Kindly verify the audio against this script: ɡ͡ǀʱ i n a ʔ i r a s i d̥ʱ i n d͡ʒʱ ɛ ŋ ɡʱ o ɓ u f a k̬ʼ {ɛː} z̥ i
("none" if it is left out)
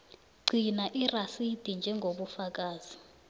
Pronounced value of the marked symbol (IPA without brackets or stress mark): aː